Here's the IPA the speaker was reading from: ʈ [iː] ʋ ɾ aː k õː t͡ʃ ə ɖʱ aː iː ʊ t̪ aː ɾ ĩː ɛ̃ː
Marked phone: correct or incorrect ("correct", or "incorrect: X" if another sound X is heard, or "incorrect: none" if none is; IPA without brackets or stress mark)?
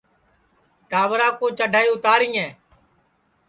incorrect: aː